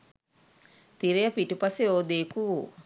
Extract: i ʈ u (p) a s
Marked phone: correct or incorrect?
correct